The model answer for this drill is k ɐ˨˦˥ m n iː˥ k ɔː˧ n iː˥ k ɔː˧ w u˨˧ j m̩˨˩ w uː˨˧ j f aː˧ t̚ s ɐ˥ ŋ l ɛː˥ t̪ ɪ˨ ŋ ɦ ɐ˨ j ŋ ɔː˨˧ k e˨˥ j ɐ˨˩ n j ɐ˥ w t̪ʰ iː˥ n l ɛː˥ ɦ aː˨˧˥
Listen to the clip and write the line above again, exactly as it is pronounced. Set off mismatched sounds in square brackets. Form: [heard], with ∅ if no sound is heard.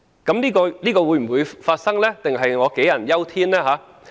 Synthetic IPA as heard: k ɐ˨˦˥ m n iː˥ k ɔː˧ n iː˥ k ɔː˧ w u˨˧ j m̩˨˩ w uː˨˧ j f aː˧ t̚ s ɐ˥ ŋ l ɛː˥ t̪ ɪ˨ ŋ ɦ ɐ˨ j ŋ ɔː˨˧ k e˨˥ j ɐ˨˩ n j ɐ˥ w t̪ʰ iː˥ n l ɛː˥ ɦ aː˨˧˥

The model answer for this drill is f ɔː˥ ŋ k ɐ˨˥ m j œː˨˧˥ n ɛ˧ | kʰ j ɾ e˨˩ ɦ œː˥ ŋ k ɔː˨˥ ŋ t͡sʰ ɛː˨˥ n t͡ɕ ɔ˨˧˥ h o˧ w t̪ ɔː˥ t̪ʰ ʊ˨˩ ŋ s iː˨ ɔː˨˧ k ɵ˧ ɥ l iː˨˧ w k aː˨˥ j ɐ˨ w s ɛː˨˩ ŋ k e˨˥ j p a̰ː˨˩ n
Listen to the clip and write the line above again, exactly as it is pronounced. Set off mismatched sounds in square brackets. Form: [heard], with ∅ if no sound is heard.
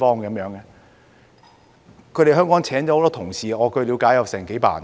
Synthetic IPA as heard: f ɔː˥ ŋ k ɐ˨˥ m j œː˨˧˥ [ŋ] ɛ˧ | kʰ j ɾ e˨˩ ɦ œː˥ ŋ k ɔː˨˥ ŋ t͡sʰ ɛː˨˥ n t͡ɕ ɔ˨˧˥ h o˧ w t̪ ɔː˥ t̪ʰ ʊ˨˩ ŋ s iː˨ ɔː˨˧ k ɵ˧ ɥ l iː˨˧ w k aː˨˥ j ɐ˨ w s ɛː˨˩ ŋ k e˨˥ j p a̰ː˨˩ n

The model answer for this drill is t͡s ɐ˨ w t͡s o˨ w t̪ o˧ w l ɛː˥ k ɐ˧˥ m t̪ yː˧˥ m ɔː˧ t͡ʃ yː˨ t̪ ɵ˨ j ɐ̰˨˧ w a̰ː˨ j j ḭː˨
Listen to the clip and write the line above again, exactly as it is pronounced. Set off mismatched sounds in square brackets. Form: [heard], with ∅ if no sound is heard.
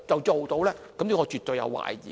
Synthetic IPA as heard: t͡s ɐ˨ w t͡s o˨ w t̪ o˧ w l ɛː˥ k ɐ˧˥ m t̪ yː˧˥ [ŋ] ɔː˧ t͡ʃ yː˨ t̪ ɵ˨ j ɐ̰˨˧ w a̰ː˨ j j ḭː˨

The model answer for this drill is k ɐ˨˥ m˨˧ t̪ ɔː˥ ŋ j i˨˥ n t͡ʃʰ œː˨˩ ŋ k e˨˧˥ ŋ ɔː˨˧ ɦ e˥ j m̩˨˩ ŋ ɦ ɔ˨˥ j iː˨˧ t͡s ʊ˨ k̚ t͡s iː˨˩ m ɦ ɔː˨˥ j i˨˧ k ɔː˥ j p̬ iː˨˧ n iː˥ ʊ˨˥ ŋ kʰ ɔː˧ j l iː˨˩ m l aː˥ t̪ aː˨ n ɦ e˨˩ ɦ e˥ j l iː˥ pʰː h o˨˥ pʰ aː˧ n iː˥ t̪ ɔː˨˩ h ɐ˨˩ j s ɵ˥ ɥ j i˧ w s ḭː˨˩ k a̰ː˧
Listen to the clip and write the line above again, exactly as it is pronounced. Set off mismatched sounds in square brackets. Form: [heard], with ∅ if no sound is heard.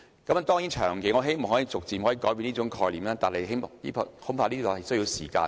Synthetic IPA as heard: k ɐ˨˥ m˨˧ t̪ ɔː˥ ŋ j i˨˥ n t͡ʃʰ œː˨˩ ŋ k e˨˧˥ ŋ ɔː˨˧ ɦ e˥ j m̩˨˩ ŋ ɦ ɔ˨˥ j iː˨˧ t͡s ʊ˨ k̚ t͡s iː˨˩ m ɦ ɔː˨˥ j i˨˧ k [ɔː˨˥] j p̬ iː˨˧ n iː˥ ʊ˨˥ ŋ kʰ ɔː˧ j l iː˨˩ m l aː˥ t̪ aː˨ n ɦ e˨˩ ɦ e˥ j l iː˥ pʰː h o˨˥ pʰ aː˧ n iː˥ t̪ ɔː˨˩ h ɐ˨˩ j s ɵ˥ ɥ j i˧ w s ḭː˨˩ k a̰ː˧

